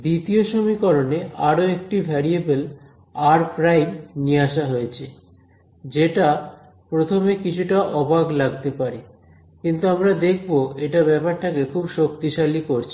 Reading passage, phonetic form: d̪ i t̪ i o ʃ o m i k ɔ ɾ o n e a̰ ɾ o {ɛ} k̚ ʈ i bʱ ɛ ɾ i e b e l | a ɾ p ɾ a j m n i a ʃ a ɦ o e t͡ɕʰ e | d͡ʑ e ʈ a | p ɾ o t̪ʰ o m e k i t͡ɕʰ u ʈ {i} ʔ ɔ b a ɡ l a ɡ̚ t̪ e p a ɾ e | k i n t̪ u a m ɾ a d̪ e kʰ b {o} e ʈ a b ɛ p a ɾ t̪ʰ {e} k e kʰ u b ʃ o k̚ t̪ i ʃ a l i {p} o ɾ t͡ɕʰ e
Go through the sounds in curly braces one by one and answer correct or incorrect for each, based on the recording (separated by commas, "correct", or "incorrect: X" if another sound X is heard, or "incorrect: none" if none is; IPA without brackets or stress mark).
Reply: incorrect: e, incorrect: a, correct, incorrect: a, incorrect: k